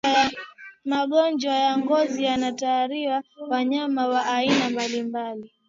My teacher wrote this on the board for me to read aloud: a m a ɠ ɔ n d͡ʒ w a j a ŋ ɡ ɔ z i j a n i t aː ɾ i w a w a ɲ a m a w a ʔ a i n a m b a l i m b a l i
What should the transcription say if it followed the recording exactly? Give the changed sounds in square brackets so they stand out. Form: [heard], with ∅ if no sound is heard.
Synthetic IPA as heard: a m a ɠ ɔ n d͡ʒ w a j a ŋ ɡ ɔ z i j a n [a] t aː ɾ i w a w a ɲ a m a w a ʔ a i n a m b a l i m b a l i